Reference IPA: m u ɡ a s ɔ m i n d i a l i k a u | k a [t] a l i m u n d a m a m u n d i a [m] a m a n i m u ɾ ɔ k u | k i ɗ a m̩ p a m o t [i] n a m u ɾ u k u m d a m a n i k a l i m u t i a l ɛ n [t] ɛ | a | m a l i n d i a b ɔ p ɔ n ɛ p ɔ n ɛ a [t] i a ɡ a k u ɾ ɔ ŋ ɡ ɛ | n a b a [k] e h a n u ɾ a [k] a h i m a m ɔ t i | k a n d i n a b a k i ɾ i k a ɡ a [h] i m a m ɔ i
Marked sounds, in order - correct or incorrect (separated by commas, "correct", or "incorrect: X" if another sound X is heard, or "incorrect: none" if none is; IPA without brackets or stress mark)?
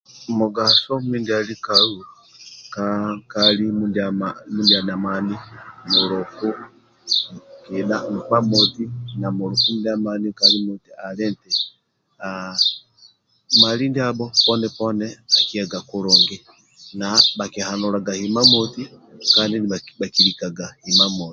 incorrect: k, incorrect: n, correct, correct, incorrect: k, correct, incorrect: ɡ, correct